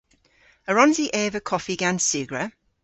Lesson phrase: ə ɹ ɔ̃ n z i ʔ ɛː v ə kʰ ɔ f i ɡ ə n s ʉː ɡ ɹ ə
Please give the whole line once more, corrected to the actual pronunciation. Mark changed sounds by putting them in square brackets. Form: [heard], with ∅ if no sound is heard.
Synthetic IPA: ə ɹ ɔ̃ n z i ʔ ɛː v ə kʰ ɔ f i ɡ [a] n s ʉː ɡ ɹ ə